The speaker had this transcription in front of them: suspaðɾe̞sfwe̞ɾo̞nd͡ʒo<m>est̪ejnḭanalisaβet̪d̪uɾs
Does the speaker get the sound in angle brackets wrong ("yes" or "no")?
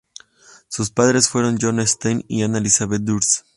yes